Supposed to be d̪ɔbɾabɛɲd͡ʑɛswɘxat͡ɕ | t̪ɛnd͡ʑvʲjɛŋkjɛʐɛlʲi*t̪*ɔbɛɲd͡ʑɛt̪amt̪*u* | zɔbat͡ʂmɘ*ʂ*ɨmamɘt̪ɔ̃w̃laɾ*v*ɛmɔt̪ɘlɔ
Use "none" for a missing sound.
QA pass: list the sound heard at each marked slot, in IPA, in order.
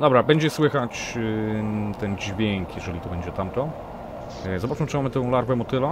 t̪, ɔ, t͡ʂ, v

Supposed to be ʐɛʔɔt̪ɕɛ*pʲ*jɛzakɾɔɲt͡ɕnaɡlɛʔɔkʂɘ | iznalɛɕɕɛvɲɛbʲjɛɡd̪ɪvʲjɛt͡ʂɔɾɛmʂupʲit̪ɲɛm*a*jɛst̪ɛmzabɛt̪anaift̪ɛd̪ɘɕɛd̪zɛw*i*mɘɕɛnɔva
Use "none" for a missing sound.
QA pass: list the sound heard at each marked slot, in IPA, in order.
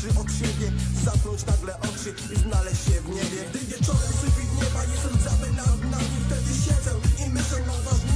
bʲ, a, i

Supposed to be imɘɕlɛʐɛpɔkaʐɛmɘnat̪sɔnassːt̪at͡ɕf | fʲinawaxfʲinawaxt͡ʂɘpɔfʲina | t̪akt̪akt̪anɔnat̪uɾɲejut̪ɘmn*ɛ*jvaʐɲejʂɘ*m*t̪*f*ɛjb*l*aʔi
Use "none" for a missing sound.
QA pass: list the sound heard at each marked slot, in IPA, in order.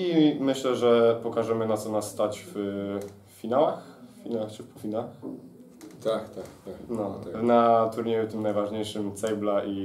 a, m, s, l

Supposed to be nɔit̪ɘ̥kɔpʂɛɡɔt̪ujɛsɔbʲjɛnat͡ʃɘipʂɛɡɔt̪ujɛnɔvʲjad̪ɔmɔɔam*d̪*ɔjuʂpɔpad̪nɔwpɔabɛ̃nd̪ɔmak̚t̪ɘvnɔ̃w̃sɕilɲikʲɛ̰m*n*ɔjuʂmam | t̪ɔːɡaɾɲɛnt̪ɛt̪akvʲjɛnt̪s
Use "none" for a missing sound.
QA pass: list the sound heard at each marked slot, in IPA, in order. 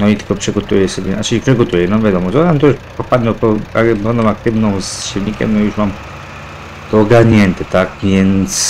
t̪, n

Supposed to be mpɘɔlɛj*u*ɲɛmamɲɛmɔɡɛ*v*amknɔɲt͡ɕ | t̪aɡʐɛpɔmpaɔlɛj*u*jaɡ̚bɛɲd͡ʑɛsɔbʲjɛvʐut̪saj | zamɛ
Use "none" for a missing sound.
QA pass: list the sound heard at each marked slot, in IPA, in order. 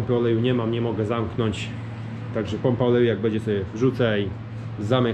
u, z, u

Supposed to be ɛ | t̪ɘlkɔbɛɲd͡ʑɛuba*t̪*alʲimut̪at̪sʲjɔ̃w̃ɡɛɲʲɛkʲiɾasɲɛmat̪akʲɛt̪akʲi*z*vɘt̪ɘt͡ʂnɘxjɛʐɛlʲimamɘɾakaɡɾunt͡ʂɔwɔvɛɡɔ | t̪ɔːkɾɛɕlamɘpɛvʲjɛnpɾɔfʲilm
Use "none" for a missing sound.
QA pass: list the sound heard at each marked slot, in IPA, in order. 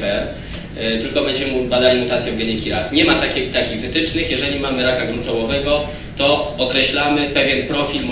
d̪, ɣ

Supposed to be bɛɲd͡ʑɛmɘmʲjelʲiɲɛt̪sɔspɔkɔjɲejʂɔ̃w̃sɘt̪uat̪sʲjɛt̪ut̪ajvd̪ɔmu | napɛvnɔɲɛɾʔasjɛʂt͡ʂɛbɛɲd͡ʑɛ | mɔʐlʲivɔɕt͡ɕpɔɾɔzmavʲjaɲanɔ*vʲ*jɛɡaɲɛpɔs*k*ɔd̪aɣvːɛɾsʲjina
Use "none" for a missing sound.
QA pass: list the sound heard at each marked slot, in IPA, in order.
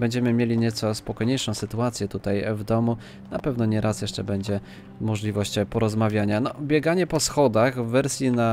bʲ, x

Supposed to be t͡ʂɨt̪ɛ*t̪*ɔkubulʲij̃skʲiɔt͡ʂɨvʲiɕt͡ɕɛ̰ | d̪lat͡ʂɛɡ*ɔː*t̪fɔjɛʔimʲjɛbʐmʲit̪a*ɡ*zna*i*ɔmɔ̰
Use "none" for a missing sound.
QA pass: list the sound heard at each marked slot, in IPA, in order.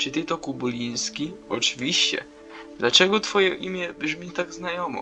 t̪, ɔ, ɡ, j

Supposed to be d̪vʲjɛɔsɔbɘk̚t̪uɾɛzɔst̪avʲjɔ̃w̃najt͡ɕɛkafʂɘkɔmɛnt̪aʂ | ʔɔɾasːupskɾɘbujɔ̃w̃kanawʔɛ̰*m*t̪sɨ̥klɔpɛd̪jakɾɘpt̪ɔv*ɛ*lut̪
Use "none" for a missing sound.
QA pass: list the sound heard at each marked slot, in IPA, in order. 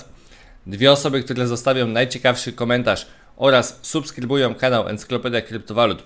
n, a

